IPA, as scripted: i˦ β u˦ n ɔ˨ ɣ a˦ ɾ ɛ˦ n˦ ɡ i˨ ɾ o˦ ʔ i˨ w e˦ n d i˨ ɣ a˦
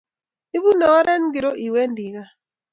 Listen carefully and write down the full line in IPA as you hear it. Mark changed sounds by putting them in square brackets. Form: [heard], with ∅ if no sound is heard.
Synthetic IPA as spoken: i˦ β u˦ n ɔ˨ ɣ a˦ ɾ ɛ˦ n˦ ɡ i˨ ɾ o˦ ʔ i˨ w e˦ n d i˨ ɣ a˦